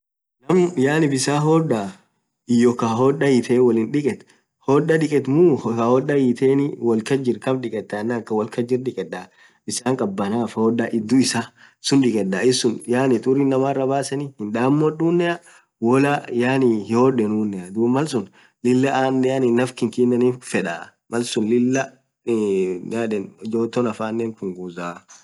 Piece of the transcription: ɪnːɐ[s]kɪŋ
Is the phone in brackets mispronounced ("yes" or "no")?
yes